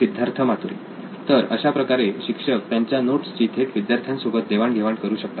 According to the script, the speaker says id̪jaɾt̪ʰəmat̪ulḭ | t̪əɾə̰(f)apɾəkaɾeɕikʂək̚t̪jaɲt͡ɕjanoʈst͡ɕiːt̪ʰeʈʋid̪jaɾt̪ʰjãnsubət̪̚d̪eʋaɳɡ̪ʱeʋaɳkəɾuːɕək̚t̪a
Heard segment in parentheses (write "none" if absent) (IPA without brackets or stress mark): ɕ